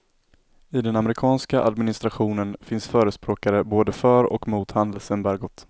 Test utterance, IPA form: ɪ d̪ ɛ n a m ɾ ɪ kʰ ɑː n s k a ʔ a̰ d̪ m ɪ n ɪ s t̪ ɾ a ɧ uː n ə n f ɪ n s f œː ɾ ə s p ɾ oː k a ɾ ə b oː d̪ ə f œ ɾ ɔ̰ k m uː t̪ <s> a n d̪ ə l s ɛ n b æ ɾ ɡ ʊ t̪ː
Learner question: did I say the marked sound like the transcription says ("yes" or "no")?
no